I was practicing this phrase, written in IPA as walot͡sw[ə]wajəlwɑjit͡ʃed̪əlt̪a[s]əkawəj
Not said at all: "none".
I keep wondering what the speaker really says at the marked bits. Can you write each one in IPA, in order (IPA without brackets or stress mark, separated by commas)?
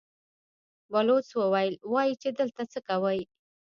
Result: ə, t͡s